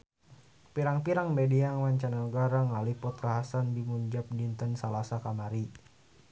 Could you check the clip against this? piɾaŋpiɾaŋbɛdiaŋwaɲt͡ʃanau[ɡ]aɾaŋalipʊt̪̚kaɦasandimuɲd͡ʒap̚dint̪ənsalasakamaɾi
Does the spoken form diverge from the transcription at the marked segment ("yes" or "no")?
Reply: no